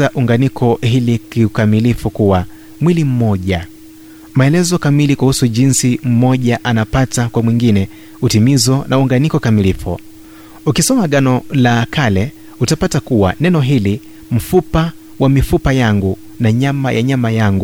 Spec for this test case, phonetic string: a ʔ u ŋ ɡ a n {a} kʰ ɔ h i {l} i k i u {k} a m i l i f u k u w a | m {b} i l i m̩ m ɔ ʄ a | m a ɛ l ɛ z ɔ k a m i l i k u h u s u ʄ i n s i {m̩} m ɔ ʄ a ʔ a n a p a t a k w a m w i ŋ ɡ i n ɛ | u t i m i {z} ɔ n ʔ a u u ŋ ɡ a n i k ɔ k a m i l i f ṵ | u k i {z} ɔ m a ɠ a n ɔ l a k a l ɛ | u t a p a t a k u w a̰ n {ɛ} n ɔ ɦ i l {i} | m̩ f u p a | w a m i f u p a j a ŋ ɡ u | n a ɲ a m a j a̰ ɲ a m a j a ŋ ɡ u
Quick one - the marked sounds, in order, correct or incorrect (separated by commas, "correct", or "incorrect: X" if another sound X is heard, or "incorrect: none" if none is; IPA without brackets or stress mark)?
incorrect: i, correct, correct, incorrect: w, correct, correct, incorrect: s, correct, correct